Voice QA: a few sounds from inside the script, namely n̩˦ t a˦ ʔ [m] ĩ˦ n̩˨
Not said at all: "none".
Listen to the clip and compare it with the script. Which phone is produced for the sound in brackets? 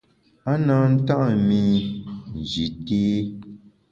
m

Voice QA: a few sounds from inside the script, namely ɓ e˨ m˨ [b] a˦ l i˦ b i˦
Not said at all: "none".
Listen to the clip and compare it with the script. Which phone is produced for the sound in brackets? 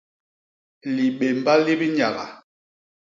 b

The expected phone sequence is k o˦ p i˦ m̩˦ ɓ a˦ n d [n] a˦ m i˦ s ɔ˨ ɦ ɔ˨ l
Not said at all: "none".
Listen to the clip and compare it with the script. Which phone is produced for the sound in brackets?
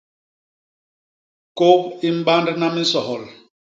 n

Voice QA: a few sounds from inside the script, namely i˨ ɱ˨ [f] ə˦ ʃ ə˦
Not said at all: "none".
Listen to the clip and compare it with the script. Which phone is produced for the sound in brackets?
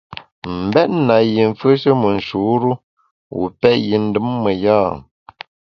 f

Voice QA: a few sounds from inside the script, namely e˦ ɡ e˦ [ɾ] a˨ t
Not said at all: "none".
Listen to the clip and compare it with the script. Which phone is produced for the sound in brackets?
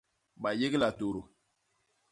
l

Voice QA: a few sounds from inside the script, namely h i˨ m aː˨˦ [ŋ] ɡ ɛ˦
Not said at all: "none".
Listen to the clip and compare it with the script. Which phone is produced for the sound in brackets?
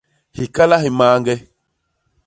ŋ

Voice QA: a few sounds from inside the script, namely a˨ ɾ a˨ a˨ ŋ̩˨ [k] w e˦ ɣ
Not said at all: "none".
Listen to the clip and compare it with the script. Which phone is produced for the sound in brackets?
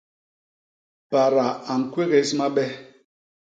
k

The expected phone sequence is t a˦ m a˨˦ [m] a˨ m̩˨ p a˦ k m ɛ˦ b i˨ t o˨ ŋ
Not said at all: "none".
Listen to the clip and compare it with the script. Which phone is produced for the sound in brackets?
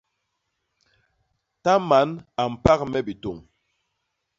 n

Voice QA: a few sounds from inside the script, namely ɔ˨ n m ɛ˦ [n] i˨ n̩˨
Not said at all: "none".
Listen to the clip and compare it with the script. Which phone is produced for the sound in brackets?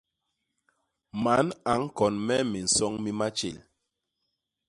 m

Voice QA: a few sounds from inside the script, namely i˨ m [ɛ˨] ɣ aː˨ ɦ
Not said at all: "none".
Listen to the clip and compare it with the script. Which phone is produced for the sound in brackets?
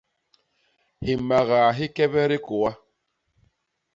a˨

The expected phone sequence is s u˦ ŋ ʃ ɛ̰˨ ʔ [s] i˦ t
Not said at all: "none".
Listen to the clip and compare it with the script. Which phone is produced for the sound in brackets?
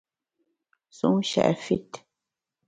f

